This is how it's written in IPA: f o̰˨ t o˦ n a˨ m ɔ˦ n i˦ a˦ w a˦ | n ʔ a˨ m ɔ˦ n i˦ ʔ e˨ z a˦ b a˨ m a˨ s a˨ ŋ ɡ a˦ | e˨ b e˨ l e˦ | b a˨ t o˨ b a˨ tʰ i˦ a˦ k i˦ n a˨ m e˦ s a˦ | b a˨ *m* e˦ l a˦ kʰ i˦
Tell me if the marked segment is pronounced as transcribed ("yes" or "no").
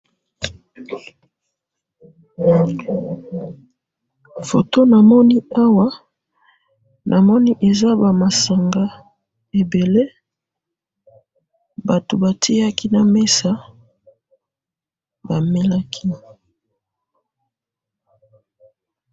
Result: yes